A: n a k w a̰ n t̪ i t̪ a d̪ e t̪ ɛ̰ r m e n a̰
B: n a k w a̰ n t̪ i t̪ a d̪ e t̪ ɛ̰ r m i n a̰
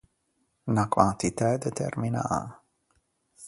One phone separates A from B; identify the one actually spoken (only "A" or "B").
B